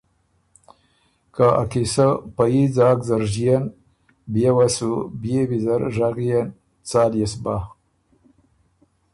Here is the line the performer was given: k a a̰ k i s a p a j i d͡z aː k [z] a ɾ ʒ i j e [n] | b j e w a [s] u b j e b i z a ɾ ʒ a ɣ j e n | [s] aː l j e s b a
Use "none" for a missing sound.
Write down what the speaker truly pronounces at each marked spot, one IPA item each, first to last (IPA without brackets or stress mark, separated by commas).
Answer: z, n, s, t͡s